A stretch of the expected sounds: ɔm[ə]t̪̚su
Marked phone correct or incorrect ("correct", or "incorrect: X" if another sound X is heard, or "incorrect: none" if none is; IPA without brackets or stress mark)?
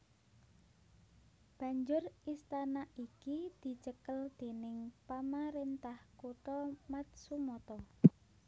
incorrect: a